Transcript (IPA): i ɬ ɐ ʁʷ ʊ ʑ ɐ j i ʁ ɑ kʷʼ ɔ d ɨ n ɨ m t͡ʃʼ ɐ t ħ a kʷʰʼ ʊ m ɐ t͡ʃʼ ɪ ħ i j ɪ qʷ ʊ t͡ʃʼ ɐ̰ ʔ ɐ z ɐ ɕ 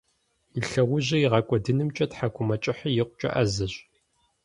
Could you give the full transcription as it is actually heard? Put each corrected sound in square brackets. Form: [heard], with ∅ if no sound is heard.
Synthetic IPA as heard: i ɬ ɐ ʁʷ ʊ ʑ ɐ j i ʁ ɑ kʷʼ ɔ d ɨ n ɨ m t͡ʃʼ ɐ t ħ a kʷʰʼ ʊ m ɐ t͡ʃʼ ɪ ħ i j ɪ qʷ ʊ t͡ʃʼ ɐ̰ ʔ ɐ z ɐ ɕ